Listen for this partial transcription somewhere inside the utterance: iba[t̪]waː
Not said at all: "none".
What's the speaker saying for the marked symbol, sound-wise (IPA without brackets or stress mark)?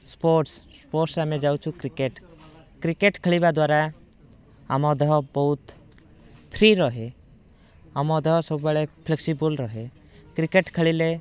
d̪